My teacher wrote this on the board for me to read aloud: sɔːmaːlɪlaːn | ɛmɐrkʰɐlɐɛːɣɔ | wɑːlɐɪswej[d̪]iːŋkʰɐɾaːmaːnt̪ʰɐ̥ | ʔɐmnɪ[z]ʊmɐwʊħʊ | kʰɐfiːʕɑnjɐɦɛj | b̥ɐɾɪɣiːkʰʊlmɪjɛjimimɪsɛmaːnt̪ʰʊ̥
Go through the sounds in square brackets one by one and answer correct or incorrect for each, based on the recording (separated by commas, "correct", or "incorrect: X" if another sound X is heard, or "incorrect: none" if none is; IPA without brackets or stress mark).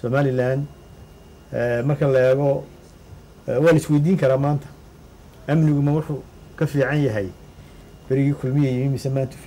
correct, incorrect: ɣ